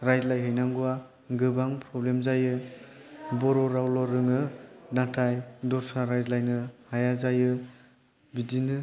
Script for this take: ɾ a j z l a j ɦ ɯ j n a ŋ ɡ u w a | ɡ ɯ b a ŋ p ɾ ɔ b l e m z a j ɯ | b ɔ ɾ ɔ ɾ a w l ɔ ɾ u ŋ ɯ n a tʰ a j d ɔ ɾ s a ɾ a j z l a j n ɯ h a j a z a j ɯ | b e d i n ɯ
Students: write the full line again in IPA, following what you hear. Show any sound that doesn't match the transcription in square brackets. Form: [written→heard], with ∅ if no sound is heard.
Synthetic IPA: ɾ a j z l a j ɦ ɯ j n a ŋ ɡ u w a | ɡ ɯ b a ŋ p ɾ ɔ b l e m z a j ɯ | b ɔ ɾ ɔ ɾ a w l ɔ ɾ [u→ɯ] ŋ ɯ n a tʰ a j d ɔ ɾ s a ɾ a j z l a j n ɯ h a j a z a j ɯ | b [e→i] d i n ɯ